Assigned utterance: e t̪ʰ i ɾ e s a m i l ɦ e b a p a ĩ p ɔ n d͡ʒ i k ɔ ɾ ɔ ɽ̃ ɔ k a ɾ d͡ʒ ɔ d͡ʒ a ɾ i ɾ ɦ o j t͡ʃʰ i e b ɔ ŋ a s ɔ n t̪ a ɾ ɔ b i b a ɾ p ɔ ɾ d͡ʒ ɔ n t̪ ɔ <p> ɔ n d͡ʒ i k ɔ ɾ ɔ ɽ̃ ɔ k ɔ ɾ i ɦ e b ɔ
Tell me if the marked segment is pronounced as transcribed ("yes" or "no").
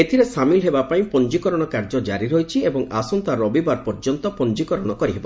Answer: yes